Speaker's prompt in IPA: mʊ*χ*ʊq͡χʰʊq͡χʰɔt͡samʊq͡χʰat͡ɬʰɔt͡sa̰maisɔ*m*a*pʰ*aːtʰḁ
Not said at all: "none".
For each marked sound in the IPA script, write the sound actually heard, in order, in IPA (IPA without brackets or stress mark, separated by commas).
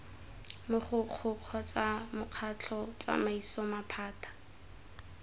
χ, m, pʰ